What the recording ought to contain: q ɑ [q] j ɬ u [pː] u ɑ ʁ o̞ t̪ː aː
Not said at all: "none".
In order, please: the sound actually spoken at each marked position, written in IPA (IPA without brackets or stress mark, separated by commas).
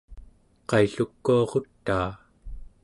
none, kː